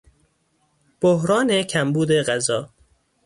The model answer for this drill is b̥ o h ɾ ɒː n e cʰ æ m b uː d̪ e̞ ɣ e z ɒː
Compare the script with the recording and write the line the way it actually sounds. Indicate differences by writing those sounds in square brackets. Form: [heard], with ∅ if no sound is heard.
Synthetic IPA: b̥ o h ɾ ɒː n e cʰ æ m b uː d̪ e̞ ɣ [æ] z ɒː